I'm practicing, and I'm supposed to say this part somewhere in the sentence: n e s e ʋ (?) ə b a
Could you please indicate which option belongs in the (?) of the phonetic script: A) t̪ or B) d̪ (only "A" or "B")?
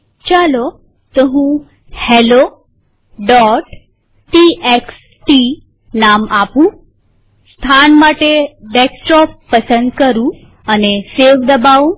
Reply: B